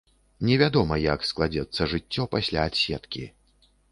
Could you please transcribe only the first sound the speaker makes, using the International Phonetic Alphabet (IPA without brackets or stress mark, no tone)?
nʲ